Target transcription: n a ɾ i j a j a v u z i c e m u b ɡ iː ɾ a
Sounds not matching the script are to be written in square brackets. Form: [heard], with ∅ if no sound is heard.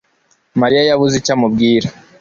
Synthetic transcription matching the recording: [m] a ɾ i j a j a [β] u z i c [a] m u b ɡ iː ɾ a